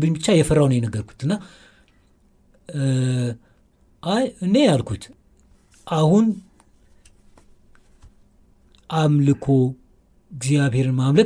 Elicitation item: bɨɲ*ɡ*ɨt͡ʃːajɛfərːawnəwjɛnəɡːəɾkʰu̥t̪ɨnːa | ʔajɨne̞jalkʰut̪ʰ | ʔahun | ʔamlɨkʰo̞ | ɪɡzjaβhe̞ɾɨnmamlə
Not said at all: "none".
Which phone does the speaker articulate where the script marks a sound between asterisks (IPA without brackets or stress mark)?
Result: b